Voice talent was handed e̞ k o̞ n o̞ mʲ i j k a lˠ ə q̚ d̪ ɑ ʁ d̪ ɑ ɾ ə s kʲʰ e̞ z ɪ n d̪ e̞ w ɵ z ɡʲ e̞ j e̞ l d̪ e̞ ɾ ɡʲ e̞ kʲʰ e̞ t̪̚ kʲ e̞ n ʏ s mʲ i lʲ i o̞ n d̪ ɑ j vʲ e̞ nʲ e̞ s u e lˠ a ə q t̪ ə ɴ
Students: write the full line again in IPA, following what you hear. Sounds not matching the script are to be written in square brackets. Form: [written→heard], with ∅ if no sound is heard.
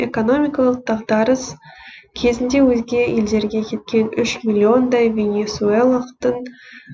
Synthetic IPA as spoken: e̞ k o̞ n o̞ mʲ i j k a lˠ ə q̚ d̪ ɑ ʁ d̪ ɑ ɾ ə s kʲʰ e̞ z ɪ n d̪ e̞ w ɵ z ɡʲ e̞ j e̞ l d̪ e̞ ɾ ɡʲ e̞ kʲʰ e̞ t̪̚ kʲ e̞ n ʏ [s→ʃ] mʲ i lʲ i o̞ n d̪ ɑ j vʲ e̞ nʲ e̞ s u e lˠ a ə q t̪ ə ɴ